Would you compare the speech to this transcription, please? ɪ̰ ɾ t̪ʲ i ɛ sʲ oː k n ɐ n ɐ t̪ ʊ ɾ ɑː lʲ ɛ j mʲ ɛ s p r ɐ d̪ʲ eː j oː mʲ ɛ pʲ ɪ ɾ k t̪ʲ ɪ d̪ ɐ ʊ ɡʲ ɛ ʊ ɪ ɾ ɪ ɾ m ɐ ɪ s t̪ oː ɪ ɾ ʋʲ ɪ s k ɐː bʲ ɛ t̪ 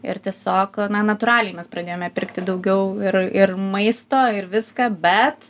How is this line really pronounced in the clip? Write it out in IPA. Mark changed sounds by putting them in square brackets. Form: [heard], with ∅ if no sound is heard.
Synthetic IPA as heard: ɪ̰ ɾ t̪ʲ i ɛ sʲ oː k n ɐ n ɐ t̪ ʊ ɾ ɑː lʲ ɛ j mʲ ɛ s p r ɐ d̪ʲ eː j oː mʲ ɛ pʲ ɪ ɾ k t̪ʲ ɪ d̪ ɐ ʊ ɡʲ ɛ ʊ ɪ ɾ ɪ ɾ m ɐ ɪ s t̪ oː ɪ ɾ ʋʲ ɪ s k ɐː bʲ ɛ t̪